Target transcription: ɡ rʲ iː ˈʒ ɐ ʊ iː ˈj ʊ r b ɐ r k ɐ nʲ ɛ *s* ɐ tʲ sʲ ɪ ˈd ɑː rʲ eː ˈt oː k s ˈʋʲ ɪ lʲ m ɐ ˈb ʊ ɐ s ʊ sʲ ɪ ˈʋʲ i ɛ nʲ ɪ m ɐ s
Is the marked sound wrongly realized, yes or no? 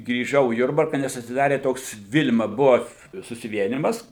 no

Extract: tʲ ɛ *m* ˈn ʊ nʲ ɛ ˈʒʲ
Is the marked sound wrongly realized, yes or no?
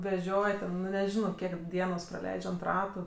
yes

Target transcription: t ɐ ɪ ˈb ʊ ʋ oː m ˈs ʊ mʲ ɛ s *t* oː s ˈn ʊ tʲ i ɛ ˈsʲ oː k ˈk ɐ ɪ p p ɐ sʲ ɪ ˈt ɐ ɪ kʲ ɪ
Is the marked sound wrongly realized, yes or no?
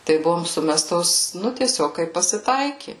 no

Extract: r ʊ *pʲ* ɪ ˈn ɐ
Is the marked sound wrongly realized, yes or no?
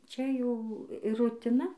yes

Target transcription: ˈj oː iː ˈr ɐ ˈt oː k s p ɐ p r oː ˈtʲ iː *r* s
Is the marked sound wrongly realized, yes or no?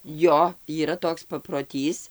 yes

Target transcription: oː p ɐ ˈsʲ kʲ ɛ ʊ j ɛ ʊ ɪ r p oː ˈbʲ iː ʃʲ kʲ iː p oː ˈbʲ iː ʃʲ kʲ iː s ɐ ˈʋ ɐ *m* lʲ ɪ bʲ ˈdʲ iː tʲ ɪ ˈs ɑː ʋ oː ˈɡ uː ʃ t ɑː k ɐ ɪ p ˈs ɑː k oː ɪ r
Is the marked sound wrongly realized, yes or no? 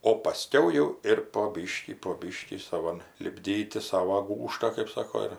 yes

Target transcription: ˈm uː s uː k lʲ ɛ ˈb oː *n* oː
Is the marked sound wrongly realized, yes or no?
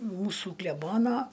no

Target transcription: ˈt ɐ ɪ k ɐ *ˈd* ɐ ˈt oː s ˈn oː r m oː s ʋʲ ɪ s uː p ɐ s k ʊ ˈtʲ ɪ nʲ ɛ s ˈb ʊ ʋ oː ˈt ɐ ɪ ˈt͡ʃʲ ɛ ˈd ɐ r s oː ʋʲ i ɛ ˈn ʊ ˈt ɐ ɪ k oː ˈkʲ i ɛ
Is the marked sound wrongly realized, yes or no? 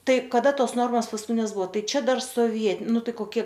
no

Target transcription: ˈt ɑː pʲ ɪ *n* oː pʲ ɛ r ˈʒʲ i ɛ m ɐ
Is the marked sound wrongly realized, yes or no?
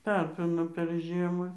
no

